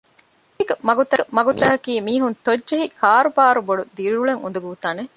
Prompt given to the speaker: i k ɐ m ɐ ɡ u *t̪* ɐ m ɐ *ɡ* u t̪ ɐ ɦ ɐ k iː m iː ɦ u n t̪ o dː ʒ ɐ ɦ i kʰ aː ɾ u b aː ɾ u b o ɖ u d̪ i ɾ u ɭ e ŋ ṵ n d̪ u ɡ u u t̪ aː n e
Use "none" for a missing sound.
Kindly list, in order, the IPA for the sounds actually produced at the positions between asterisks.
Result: t̪, ɡ

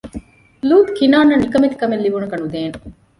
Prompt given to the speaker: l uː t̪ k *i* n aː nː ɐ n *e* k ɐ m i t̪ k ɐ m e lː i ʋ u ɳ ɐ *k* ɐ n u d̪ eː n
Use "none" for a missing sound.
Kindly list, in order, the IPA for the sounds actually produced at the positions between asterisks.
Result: i, i, k

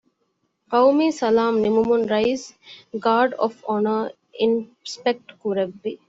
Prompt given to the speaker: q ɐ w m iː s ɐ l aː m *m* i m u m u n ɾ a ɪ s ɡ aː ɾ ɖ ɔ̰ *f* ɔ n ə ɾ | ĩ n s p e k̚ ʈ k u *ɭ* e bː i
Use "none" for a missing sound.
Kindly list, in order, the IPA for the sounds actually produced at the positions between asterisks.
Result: n, f, ɾ

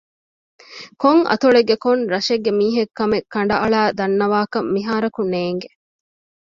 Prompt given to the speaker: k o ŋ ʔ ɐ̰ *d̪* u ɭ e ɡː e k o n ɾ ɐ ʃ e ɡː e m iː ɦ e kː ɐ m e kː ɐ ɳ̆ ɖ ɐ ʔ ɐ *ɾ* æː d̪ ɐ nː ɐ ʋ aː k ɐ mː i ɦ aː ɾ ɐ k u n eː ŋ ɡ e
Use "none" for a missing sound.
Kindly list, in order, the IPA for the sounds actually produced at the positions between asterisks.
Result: t̪, ɭ

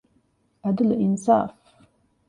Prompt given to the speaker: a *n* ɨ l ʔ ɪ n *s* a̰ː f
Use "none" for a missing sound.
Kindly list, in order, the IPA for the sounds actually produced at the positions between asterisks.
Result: d, s

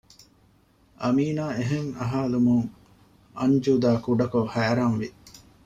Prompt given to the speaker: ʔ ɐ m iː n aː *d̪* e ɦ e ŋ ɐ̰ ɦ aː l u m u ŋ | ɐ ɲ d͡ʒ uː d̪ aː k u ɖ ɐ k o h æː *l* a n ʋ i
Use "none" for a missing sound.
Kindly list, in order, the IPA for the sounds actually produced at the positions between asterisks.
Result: none, ɾ

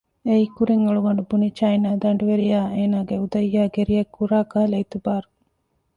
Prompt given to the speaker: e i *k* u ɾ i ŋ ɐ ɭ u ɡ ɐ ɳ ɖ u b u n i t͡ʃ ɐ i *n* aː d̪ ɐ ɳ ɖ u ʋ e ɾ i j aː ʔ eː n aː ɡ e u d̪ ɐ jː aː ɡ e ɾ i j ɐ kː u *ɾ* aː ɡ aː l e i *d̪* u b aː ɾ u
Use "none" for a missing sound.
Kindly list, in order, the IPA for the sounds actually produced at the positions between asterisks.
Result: k, n, ɾ, t̪

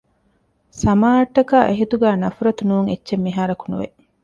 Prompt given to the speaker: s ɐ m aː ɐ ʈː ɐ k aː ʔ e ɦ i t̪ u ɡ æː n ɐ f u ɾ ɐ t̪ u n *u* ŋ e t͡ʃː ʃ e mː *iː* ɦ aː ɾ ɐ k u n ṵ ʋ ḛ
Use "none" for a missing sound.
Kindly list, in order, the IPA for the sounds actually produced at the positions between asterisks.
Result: uː, i

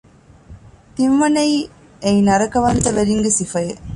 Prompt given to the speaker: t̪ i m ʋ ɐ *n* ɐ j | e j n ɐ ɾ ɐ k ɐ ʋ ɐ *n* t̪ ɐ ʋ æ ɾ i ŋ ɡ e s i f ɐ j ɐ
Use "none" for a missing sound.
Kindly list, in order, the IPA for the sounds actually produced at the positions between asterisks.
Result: n, n

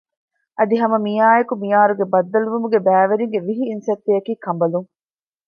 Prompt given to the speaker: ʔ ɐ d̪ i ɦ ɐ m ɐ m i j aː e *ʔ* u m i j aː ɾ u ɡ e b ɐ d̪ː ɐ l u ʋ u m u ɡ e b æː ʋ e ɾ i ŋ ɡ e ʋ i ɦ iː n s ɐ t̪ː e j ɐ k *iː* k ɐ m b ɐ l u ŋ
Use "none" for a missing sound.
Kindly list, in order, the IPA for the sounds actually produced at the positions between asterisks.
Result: k, iː

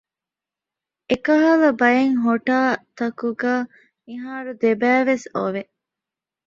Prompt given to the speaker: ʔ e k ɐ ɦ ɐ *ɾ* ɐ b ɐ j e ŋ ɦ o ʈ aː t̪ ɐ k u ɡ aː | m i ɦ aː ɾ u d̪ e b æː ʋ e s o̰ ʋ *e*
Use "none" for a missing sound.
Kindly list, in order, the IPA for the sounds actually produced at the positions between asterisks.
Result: l, e

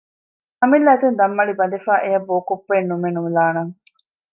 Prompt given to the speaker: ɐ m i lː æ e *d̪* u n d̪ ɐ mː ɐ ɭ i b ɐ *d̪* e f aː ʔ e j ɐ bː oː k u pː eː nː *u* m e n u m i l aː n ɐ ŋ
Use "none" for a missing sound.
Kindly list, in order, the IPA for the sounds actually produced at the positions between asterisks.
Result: t̪, d̪, u

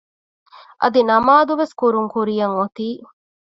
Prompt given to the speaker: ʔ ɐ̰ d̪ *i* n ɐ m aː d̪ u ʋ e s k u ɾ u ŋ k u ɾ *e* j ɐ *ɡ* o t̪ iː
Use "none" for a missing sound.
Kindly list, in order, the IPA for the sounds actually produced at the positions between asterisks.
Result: i, i, ŋ

